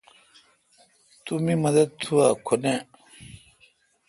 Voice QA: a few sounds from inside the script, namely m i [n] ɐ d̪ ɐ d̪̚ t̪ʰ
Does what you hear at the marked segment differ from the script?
yes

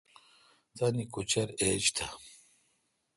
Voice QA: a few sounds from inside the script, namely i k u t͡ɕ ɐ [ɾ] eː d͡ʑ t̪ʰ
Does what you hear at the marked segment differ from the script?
no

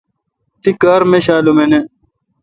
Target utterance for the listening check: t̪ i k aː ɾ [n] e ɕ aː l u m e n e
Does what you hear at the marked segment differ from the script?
yes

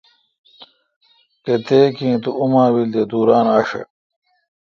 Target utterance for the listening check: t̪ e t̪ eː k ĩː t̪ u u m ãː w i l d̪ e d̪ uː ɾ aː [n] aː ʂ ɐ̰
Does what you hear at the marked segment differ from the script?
no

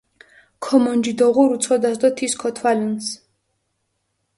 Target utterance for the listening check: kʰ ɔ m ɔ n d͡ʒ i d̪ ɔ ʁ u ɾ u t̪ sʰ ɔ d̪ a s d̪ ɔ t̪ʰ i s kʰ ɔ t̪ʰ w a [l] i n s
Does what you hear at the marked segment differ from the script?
no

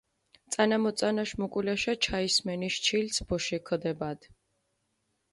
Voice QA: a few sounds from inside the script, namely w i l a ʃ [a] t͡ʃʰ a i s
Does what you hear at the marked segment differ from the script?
no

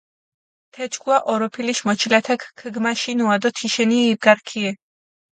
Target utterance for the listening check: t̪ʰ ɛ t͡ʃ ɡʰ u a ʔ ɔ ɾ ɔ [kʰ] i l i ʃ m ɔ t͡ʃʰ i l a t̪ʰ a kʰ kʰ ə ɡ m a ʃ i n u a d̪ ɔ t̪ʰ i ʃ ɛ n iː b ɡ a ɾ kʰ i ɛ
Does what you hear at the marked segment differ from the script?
yes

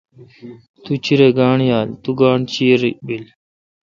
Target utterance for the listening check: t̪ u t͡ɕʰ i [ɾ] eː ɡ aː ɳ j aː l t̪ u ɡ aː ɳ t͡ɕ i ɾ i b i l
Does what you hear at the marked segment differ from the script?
no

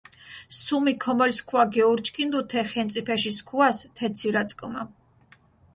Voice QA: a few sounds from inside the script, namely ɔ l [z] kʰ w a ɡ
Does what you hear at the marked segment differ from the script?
yes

